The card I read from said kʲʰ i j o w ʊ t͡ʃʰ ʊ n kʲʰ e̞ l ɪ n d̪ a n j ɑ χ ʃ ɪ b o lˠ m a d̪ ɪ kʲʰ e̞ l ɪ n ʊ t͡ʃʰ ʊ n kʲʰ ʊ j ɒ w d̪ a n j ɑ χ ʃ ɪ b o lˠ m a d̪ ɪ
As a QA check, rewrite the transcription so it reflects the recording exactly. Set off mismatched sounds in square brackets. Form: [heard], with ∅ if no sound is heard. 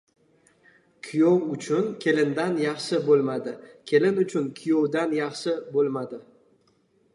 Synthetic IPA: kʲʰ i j o w ʊ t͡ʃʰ ʊ n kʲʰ e̞ l ɪ n d̪ a n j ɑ χ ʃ ɪ b o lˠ m a d̪ ɪ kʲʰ e̞ l ɪ n ʊ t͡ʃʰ ʊ n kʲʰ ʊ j [o] w d̪ a n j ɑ χ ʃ ɪ b o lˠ m a d̪ ɪ